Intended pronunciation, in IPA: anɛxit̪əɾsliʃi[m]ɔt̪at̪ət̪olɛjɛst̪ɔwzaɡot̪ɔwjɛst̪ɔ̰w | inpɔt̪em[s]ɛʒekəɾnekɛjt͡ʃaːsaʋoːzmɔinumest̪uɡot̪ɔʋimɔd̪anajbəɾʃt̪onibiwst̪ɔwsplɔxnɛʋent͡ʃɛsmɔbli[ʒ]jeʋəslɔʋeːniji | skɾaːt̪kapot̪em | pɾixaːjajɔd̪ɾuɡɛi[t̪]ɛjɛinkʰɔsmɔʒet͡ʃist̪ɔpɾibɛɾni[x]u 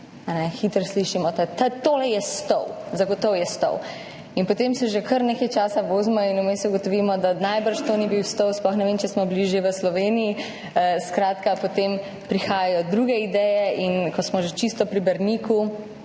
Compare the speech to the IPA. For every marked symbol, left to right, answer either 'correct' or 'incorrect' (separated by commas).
correct, correct, correct, incorrect, incorrect